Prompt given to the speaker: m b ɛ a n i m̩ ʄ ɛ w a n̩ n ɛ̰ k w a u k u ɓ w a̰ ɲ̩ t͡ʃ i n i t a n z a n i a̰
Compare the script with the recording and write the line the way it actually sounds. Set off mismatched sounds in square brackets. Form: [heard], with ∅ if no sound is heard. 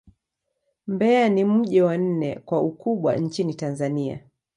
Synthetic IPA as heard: m b ɛ a n i m̩ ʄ ɛ w a n̩ n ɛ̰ k w a u k u ɓ w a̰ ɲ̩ t͡ʃ i n i t a n z a n i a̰